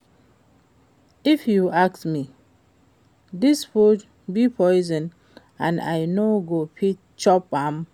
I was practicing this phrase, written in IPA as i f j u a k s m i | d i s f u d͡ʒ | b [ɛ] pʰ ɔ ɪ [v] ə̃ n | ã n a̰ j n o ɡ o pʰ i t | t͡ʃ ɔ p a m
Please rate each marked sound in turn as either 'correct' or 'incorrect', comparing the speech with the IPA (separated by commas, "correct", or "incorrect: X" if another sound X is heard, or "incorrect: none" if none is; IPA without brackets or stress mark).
incorrect: i, incorrect: z